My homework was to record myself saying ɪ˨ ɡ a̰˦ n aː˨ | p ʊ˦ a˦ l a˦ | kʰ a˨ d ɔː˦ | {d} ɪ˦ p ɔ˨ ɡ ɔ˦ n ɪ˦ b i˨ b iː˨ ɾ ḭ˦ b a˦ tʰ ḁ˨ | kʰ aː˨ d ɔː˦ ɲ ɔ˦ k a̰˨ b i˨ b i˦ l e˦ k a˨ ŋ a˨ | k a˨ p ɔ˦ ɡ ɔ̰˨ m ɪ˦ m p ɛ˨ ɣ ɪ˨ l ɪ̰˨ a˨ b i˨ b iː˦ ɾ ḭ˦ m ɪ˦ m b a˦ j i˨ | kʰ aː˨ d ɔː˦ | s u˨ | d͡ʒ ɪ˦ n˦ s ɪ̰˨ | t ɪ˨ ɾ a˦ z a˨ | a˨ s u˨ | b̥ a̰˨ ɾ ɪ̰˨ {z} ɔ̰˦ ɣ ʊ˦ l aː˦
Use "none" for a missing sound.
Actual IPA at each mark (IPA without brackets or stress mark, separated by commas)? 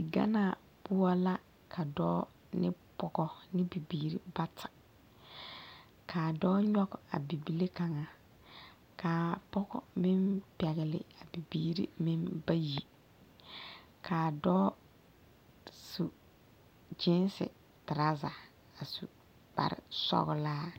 n, s